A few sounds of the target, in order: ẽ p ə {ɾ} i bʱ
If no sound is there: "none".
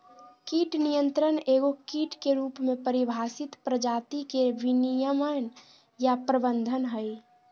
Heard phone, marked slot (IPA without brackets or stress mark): ɾ